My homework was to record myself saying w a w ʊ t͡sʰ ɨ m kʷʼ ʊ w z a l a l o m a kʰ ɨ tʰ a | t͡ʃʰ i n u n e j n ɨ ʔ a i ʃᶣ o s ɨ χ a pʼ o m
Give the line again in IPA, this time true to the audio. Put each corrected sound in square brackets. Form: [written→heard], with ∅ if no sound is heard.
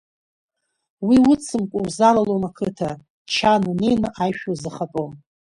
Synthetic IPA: w [a→i] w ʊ t͡sʰ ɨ m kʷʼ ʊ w z a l a l o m a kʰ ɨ tʰ a | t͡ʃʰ [i→a] n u n e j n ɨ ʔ a [i→j] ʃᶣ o [s→z] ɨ χ a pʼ o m